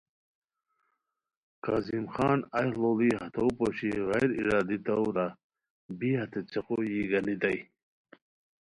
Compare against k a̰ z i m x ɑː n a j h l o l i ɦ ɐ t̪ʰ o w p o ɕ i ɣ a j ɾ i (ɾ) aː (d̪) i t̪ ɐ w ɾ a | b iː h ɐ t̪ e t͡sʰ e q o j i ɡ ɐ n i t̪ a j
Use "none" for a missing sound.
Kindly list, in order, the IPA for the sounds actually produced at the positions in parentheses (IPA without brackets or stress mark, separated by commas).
ɾ, d̪